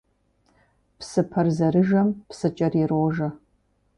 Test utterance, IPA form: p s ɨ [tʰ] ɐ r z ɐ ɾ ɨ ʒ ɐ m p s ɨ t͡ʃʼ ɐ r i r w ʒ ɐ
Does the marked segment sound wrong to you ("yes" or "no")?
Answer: yes